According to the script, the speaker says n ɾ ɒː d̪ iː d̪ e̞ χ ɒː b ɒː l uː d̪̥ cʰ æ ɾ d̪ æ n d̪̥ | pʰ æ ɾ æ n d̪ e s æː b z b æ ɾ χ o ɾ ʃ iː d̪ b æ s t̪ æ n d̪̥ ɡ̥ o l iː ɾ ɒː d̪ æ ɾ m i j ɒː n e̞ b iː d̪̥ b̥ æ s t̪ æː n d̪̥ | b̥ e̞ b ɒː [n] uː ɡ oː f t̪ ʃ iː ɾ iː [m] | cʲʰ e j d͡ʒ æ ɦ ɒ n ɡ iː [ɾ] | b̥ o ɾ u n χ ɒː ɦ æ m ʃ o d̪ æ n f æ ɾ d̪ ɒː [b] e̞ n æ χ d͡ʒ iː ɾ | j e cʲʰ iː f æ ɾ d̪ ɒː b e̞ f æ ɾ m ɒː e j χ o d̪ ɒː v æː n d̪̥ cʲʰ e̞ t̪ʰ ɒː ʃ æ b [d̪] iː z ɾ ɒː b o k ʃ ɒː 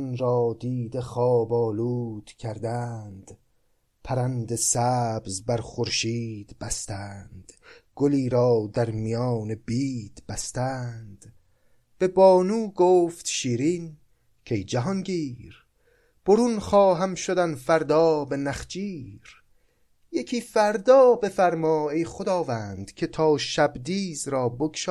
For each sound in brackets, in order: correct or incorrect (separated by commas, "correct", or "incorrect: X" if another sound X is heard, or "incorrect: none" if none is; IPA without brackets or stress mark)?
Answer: correct, incorrect: n, correct, correct, correct